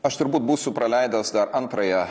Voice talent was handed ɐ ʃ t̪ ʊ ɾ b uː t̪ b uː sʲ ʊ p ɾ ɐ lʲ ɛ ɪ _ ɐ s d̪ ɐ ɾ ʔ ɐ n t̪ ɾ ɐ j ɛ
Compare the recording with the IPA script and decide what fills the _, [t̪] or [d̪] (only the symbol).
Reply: d̪